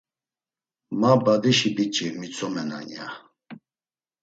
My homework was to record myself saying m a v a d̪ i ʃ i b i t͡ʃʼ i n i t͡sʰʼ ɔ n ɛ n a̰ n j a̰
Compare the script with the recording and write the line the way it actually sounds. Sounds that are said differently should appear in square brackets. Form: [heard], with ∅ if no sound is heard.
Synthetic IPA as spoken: m a [b] a d̪ i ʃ i b i t͡ʃʼ i [m] i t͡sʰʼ ɔ [m] ɛ n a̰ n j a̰